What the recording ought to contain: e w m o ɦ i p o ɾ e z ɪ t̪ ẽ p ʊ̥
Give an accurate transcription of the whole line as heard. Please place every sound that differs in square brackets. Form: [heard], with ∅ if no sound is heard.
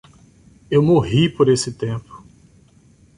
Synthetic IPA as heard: e w m o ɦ i p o ɾ e [s] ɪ t̪ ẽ p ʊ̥